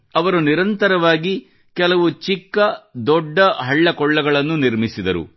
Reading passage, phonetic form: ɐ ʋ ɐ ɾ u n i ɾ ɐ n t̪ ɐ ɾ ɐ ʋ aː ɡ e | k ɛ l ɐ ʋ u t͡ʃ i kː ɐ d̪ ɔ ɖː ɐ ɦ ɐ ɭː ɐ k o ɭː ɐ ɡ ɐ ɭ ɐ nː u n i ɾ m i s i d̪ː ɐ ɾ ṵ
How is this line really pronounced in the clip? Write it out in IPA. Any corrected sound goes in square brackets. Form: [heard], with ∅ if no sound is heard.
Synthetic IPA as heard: ɐ ʋ ɐ ɾ u n i ɾ ɐ n t̪ ɐ ɾ ɐ ʋ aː ɡ [i] | k ɛ l ɐ ʋ u t͡ʃ i kː ɐ d̪ ɔ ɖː ɐ ɦ ɐ ɭː ɐ k [ɔ] ɭː ɐ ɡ ɐ ɭ ɐ nː u n i ɾ m i s i [d̪] ɐ ɾ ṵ